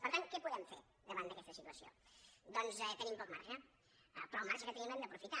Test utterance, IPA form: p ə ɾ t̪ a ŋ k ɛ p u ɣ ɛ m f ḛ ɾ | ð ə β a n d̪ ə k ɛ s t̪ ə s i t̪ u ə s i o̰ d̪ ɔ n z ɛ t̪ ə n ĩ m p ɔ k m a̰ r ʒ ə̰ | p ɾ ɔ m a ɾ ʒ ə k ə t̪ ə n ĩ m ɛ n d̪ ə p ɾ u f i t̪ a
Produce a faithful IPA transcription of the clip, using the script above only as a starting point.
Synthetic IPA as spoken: p ə ɾ t̪ a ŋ k ɛ p u ð ɛ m f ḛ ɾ | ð ə β a n d̪ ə k ɛ s t̪ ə s i t̪ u ə s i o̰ d̪ ɔ n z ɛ t̪ ə n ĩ m p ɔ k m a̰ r ʒ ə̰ | p ɾ ɔ m a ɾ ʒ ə k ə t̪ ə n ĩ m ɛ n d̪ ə p ɾ u f i t̪ a